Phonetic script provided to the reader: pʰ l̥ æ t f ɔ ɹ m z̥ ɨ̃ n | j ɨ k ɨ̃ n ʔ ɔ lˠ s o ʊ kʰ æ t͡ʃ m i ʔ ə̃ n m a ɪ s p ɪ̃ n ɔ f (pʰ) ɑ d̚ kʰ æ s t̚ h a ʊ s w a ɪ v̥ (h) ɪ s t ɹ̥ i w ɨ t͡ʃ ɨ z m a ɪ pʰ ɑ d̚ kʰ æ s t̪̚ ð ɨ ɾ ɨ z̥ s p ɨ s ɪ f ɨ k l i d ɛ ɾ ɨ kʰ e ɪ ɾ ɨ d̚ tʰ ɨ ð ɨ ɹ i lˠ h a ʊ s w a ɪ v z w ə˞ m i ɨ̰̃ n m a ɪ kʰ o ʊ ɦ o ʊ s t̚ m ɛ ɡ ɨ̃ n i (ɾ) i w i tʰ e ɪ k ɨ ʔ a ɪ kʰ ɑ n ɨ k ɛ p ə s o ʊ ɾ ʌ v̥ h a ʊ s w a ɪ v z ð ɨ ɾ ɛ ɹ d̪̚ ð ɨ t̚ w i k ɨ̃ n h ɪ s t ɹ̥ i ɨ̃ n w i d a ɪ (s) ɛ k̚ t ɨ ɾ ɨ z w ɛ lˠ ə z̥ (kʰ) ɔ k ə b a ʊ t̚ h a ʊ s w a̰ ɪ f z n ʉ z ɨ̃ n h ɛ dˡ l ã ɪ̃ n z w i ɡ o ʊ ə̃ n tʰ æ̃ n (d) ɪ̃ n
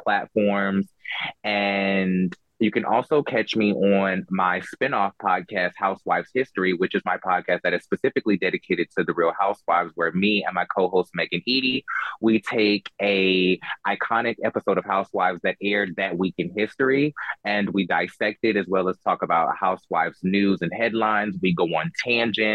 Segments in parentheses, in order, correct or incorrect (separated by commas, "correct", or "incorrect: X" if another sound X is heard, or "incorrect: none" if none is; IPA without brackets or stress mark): correct, correct, correct, correct, incorrect: tʰ, incorrect: d͡ʒ